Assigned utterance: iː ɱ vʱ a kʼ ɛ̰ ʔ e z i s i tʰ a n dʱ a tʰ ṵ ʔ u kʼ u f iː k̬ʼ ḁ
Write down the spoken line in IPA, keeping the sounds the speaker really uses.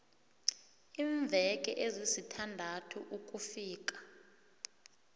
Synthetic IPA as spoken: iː ɱ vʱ ɛ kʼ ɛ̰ ʔ e z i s i tʰ a n dʱ a tʰ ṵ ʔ u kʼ u f iː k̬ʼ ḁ